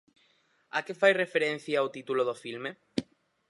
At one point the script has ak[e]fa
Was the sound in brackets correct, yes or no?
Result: yes